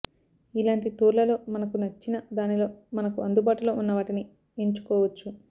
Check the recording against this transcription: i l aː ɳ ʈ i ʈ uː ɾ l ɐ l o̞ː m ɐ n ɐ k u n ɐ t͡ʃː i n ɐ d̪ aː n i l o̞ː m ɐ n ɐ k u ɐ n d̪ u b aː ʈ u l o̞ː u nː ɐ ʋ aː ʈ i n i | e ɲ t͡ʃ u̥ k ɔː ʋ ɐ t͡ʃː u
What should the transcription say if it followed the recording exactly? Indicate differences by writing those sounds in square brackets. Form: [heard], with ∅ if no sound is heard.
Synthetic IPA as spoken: i l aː ɳ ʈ i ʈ uː ɾ l ɐ l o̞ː m ɐ n ɐ k u n ɐ t͡ʃː i n ɐ d̪ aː n i l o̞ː m ɐ n ɐ k u ɐ n d̪ u b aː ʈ u l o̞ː u nː ɐ ʋ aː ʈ i n i | e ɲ t͡ʃ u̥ k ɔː ʋ ɐ t͡ʃː u